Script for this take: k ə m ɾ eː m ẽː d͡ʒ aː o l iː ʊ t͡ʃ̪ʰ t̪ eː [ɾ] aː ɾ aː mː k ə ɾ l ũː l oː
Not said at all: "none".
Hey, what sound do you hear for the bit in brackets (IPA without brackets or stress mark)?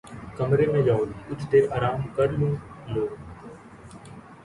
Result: ɾ